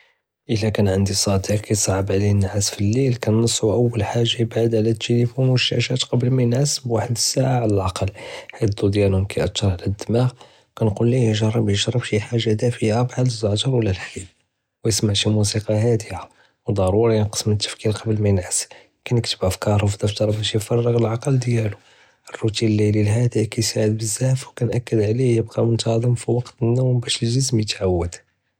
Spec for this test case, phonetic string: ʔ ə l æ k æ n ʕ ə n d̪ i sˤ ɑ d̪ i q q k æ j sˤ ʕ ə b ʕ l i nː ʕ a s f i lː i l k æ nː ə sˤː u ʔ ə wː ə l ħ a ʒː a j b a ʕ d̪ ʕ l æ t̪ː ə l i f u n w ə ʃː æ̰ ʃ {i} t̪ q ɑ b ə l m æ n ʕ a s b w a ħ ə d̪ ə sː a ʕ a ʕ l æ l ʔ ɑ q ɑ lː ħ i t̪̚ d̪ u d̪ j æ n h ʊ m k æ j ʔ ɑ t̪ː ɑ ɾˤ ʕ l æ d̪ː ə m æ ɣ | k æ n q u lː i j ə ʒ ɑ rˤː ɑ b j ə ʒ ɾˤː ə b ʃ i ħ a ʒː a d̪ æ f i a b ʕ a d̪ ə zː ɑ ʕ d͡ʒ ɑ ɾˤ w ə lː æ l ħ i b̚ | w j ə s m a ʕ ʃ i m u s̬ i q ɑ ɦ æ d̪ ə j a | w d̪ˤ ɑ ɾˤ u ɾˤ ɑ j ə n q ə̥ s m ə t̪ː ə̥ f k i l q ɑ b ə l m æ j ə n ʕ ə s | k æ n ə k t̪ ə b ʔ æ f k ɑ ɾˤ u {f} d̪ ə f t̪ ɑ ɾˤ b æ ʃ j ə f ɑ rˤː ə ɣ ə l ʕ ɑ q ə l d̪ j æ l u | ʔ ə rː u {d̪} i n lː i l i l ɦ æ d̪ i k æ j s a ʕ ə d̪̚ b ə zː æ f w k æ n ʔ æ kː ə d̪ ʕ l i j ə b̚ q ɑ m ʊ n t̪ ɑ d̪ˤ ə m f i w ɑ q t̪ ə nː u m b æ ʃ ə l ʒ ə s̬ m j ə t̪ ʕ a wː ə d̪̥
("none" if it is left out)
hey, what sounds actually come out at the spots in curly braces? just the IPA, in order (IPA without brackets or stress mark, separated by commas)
æ, f, t̪